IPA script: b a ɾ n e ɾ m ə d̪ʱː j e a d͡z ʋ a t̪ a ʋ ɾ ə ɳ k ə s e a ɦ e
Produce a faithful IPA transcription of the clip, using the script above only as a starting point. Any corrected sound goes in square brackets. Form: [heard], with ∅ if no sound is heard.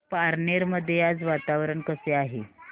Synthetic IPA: [p] a ɾ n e ɾ m ə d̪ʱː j e a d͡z ʋ a t̪ a ʋ ɾ ə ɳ k ə s e a ɦ e

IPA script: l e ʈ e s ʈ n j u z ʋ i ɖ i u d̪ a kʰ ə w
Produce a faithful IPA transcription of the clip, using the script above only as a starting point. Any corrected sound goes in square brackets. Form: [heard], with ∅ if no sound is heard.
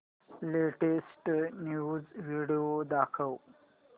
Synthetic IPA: l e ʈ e s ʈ n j u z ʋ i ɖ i [o] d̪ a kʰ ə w

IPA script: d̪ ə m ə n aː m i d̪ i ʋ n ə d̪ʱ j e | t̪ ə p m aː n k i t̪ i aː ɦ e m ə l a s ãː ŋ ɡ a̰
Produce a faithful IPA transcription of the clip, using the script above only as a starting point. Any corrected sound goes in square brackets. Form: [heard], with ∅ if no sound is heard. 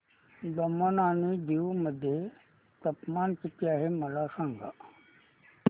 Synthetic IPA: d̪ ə m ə n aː [n] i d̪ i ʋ [m] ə d̪ʱ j e | t̪ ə p m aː n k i t̪ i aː ɦ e m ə l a s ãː ŋ ɡ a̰

